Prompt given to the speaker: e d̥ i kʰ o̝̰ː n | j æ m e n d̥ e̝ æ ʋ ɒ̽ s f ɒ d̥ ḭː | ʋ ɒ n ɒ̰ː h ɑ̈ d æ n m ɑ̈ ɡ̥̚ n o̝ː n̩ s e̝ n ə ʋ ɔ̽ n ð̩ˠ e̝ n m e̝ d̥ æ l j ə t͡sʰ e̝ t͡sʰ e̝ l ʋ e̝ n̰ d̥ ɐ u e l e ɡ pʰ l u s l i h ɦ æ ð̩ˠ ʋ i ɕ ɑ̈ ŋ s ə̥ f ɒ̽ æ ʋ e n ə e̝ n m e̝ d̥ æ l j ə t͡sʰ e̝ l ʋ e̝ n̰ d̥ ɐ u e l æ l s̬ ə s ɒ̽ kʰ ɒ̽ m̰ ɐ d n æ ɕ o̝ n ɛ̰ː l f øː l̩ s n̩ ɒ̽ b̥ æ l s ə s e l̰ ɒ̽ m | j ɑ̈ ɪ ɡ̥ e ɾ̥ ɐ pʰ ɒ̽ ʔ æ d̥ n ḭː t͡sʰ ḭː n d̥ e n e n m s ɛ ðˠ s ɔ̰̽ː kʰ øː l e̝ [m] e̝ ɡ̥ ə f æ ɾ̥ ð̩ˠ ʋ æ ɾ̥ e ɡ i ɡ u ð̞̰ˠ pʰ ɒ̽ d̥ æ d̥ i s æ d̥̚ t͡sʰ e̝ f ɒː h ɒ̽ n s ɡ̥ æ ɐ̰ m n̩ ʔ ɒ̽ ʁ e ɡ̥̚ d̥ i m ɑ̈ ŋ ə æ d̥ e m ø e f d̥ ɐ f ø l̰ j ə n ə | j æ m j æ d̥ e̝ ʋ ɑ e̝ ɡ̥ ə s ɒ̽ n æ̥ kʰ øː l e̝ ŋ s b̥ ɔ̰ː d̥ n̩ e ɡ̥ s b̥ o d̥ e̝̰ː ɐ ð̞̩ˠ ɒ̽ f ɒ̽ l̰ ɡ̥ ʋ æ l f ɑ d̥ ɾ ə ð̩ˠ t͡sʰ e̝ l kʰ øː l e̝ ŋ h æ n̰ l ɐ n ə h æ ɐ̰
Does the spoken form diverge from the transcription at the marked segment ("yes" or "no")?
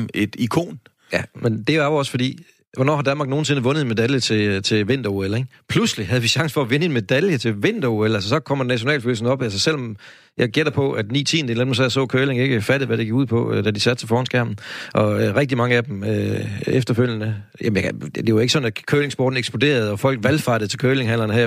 yes